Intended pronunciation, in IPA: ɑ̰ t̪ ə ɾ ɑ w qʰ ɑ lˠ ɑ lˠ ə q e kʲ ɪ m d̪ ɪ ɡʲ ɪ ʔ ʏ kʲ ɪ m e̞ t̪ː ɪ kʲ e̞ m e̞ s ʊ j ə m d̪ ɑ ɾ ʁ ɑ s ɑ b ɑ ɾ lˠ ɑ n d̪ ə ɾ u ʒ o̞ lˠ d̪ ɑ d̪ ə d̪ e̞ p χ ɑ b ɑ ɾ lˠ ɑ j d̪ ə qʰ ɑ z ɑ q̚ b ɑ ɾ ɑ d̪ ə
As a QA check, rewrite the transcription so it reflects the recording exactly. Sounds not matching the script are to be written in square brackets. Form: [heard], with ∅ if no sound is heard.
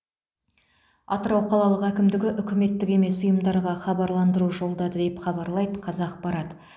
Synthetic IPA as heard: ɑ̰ t̪ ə ɾ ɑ w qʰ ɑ lˠ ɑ lˠ ə q [æ] kʲ ɪ m d̪ ɪ ɡʲ ɪ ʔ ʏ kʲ ɪ m e̞ t̪ː ɪ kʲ e̞ m e̞ s ʊ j ə m d̪ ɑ ɾ ʁ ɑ [χ] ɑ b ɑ ɾ lˠ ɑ n d̪ ə ɾ u ʒ o̞ lˠ d̪ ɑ d̪ ə d̪ e̞ p χ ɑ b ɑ ɾ lˠ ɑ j d̪ ə qʰ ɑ z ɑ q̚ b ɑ ɾ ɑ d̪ ə